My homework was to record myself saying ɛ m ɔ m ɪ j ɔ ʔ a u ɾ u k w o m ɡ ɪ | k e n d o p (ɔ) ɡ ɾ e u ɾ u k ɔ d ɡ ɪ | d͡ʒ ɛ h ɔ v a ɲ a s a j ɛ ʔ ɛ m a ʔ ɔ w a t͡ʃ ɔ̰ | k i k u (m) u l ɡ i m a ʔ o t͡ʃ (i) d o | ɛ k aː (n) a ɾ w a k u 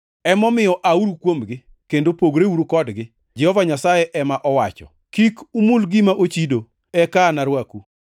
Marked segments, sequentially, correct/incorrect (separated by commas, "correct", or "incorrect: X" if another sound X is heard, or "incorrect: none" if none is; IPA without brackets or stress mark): incorrect: o, correct, correct, correct